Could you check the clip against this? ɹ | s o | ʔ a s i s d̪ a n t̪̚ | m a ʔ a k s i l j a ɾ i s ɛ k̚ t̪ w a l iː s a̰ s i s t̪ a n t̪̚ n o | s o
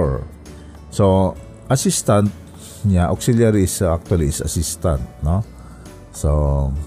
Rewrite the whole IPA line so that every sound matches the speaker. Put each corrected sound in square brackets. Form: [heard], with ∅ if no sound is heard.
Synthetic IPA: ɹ | s o | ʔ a s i s [t̪] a n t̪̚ | [ɲ] a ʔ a k s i l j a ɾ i s [a] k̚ t̪ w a l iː s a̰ s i s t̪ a n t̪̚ n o | s o